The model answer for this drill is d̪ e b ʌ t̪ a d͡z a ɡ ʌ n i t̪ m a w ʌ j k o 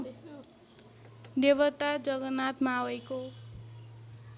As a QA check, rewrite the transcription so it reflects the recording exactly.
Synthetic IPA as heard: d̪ e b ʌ t̪ a d͡z ʌ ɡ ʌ n a t̪ m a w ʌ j k o